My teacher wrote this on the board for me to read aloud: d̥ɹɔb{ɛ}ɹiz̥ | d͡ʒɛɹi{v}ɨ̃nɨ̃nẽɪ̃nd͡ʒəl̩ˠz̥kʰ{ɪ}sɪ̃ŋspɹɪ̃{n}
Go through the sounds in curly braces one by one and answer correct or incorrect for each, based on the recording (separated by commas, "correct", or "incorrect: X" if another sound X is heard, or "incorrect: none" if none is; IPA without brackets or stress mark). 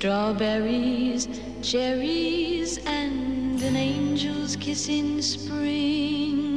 correct, incorrect: z, correct, incorrect: ŋ